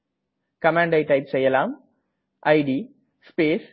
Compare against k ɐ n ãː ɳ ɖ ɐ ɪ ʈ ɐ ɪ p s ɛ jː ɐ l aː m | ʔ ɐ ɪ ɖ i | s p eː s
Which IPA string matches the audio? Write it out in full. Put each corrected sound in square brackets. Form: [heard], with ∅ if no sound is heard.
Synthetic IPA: k ɐ [m] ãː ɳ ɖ ɐ ɪ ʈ ɐ ɪ p s ɛ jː ɐ l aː m | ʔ ɐ ɪ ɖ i | s p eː s